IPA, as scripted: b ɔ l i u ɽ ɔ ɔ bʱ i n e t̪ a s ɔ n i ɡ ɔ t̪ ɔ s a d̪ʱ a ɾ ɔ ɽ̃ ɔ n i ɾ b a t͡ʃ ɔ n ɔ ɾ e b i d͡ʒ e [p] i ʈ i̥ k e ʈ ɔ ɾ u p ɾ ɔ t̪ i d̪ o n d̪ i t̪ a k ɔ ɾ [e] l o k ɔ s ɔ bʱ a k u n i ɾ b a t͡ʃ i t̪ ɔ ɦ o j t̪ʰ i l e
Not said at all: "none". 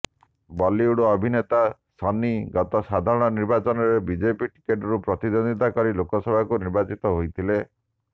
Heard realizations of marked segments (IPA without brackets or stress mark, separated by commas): p, i